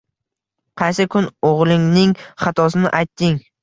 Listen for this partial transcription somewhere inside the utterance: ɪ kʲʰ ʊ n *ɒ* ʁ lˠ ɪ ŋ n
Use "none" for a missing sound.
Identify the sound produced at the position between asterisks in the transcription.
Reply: o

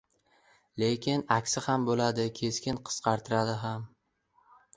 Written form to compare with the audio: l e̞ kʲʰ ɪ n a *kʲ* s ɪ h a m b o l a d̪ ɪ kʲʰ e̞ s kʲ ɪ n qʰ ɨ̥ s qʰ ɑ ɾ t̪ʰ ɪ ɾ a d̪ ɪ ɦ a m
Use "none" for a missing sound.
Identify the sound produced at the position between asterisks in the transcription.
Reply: kʲ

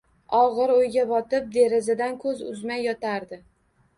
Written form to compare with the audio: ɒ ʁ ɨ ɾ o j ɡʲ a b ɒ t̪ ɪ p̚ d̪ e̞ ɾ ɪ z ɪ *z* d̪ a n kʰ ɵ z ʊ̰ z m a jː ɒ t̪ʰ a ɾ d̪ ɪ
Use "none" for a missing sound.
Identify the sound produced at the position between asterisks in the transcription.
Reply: none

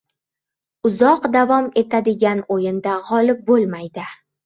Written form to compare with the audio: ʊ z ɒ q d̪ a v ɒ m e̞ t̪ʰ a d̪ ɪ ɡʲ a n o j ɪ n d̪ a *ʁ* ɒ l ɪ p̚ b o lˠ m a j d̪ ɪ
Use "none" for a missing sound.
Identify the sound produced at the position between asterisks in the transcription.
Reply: ʁ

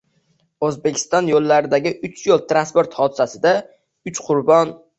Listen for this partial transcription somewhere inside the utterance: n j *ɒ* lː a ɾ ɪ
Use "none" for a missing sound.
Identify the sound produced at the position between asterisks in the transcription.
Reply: o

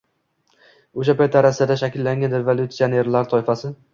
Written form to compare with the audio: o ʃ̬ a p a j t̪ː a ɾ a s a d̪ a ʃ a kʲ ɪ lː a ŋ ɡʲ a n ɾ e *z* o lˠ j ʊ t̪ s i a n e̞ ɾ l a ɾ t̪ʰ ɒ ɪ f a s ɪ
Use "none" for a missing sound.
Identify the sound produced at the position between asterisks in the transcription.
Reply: v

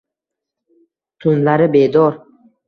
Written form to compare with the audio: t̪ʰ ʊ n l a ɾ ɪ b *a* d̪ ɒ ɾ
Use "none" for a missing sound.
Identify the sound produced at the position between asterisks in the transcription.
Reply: e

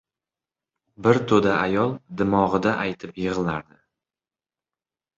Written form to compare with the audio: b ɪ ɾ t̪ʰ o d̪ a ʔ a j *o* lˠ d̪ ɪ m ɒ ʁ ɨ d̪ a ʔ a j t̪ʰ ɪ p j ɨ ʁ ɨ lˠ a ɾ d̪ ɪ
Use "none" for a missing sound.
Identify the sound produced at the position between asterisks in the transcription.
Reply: ɒ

